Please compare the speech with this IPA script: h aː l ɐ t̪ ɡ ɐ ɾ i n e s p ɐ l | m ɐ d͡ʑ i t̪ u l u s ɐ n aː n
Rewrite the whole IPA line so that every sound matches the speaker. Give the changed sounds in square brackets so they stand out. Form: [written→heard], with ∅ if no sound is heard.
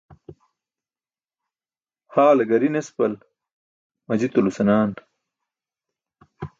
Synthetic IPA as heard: h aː l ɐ [t̪→∅] ɡ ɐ ɾ i n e s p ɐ l | m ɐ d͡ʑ i t̪ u l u s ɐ n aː n